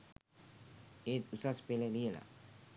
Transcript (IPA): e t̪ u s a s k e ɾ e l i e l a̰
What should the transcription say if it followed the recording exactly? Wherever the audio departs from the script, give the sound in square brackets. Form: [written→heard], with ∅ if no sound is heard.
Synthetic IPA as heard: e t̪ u s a s [k→p] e [ɾ→l] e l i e l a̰